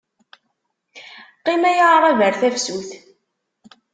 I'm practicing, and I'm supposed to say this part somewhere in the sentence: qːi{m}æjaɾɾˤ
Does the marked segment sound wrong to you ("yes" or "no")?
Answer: no